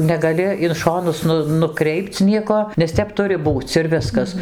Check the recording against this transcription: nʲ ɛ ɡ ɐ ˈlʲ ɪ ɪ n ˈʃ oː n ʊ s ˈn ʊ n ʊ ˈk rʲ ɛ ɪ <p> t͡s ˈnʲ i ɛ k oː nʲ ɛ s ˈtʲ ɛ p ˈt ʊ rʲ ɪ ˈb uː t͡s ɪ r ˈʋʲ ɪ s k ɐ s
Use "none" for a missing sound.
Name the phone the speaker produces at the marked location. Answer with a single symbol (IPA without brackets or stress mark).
p